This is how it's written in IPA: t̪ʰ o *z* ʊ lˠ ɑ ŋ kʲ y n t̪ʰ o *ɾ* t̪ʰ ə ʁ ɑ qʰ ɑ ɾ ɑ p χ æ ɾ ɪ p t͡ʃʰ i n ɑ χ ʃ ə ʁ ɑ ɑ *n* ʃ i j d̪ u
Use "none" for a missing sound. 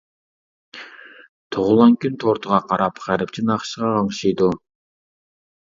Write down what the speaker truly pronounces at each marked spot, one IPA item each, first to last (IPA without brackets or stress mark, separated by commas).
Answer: ʁ, ɾ, ŋ